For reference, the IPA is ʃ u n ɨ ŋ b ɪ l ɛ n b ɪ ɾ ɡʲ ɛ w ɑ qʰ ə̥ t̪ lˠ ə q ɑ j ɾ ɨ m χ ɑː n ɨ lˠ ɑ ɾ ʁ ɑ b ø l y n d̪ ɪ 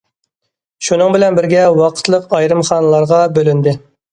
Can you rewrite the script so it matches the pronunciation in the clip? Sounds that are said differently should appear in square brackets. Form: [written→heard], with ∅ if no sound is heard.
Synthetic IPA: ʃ u n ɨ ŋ b ɪ l ɛ n b ɪ ɾ ɡʲ ɛ w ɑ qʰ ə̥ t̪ lˠ ə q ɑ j ɾ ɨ m χ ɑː n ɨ lˠ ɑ ɾ ʁ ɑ b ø l y n d̪ ɪ